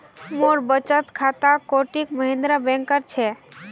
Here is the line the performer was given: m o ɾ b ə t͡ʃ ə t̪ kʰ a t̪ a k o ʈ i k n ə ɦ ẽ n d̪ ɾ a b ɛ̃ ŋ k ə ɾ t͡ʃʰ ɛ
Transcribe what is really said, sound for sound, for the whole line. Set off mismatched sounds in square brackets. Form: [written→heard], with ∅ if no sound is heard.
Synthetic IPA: m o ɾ b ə t͡ʃ ə t̪ kʰ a t̪ a k o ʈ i k [n→m] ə ɦ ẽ n d̪ ɾ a b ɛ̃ ŋ k ə ɾ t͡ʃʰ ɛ